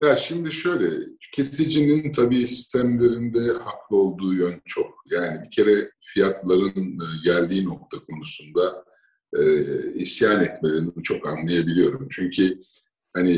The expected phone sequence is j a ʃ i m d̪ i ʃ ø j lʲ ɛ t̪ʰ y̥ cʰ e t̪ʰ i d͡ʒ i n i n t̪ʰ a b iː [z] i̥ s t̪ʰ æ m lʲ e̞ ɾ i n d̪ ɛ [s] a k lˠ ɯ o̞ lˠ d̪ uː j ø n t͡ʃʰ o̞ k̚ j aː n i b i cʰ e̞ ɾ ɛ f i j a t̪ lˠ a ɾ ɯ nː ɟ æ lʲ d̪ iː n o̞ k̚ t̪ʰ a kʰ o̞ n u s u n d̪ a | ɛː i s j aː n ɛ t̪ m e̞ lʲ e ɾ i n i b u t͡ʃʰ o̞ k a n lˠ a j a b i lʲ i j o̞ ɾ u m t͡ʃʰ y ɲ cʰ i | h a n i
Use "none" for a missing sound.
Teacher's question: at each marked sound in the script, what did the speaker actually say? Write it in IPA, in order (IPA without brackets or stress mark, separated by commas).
s, h